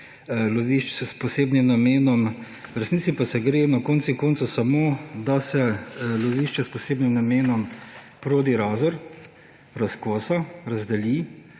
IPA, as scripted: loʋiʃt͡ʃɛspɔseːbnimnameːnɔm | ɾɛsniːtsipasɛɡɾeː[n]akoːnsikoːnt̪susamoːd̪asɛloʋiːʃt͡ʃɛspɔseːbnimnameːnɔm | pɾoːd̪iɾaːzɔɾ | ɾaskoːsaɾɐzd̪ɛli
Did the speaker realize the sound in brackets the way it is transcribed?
yes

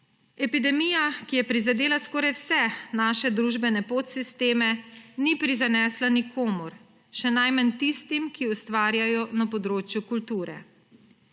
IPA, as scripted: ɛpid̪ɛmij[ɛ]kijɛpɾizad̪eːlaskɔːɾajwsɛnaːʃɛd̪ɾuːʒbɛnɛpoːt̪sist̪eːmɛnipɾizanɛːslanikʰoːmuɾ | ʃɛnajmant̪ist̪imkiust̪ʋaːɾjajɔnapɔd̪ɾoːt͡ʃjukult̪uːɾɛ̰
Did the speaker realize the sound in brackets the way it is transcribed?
no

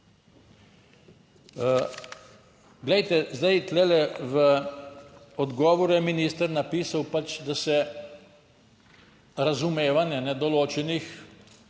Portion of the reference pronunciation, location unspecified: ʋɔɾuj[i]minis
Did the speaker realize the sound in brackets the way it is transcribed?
no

